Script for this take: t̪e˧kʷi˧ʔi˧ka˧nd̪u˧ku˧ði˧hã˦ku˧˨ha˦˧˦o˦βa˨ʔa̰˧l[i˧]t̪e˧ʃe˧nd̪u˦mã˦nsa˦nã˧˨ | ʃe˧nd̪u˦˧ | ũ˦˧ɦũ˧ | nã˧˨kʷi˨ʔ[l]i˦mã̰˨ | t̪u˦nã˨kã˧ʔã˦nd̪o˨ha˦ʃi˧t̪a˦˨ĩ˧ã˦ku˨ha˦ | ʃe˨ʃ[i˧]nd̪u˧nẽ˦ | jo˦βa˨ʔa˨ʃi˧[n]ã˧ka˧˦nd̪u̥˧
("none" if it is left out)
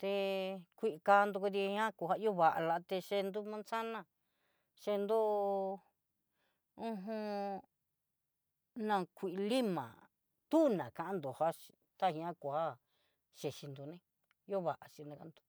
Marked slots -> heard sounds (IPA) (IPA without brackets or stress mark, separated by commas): a˧, l, i˧, n